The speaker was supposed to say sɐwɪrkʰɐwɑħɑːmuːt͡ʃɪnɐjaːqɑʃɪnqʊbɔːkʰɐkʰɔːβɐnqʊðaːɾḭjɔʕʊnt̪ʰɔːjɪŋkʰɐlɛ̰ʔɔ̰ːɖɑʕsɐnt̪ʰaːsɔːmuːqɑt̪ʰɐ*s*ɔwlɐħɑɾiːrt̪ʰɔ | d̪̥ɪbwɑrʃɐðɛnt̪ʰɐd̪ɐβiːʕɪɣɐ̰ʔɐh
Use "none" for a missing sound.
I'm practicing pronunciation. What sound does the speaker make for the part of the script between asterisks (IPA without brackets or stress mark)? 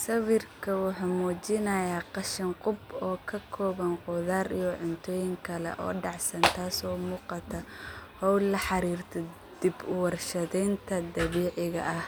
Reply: h